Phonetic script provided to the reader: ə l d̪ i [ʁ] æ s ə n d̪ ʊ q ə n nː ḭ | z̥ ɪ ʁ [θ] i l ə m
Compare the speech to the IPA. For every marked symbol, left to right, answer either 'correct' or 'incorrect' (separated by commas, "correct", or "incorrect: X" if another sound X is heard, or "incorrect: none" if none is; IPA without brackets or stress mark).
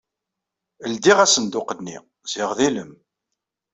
correct, incorrect: ð